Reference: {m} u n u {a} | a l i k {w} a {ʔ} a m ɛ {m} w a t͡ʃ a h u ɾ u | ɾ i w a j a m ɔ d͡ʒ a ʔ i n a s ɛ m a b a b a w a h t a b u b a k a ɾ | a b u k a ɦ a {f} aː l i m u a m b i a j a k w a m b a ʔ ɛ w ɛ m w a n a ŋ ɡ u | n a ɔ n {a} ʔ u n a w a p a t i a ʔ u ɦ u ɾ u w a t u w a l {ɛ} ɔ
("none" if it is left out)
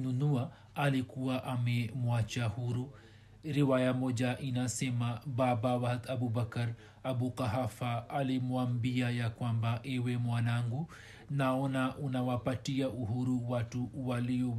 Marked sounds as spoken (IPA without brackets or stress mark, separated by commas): n, a, u, ʔ, m, f, a, i